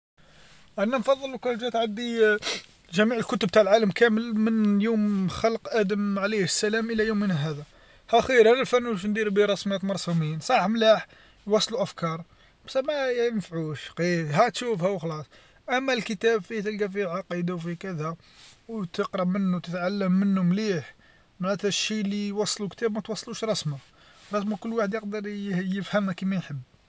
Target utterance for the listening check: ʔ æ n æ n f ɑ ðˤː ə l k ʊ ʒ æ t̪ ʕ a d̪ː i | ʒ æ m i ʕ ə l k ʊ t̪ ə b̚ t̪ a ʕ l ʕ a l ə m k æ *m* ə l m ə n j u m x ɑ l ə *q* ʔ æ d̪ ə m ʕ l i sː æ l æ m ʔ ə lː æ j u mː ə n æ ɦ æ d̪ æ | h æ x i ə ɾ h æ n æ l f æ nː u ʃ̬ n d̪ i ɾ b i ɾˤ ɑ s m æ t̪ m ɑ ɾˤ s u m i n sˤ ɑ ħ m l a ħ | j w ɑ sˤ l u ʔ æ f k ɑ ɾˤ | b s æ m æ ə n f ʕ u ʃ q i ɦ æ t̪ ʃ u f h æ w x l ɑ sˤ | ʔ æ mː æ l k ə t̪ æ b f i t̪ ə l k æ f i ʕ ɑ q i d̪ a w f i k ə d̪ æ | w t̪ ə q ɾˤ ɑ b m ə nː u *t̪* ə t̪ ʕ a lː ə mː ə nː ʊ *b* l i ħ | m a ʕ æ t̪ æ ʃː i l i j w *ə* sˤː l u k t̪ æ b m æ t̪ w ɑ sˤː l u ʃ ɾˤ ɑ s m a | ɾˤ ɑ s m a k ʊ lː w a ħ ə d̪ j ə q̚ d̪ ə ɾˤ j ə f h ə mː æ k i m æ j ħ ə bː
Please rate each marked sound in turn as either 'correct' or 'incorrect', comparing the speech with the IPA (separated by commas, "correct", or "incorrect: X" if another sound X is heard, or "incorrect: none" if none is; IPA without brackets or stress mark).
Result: correct, correct, correct, incorrect: m, incorrect: ɑ